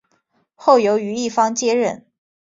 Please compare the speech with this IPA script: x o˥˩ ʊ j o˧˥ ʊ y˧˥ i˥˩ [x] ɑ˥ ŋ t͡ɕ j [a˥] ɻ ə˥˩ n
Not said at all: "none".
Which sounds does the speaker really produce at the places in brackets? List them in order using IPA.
f, ɛ˥

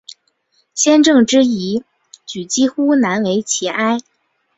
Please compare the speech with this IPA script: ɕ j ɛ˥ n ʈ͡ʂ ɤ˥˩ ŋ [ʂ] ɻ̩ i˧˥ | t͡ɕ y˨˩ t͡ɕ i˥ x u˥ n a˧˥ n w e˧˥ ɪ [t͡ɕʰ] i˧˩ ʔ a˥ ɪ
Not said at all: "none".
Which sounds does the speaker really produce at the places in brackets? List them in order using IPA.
ʈ͡ʂ, t͡ɕʰ

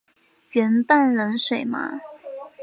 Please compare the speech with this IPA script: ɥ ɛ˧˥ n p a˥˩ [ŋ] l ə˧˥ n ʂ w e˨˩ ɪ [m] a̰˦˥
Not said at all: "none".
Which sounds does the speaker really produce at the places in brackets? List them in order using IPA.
n, m

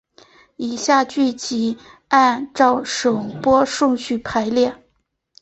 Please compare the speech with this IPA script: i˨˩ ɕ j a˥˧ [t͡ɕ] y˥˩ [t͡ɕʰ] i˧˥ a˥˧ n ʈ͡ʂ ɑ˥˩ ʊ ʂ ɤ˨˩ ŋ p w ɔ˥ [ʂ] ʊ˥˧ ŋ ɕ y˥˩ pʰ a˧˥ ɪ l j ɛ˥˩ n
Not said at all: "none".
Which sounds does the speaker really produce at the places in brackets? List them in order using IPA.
t͡ɕ, t͡ɕ, ʂ

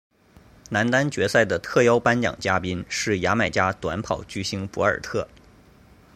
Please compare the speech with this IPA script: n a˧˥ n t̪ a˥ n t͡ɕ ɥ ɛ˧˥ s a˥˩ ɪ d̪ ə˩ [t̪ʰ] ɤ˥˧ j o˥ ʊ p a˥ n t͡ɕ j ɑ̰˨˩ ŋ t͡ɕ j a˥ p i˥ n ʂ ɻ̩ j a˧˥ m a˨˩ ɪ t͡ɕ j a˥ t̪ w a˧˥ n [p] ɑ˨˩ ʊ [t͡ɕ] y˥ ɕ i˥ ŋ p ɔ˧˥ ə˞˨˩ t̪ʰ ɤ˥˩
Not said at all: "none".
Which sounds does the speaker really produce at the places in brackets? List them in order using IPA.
t̪ʰ, pʰ, t͡ɕ

